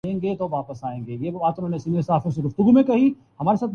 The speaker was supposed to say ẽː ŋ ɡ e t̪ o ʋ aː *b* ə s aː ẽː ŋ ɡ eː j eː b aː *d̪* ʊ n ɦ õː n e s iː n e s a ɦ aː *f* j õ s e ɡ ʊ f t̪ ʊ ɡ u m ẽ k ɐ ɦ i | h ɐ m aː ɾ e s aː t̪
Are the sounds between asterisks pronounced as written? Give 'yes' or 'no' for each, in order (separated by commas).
no, no, yes